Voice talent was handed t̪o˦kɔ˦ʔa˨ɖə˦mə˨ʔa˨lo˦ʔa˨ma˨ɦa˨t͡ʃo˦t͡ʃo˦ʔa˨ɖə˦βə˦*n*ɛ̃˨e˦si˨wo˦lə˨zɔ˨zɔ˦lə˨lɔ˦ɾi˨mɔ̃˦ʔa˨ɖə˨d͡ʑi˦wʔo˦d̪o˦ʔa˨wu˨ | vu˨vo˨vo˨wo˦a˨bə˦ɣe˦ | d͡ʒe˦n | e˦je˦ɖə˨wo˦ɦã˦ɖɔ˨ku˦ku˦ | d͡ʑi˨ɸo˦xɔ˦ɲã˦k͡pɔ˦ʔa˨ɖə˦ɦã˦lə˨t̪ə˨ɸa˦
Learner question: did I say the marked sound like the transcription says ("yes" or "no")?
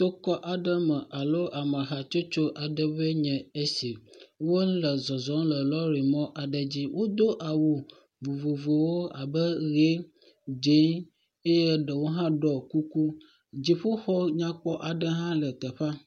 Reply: no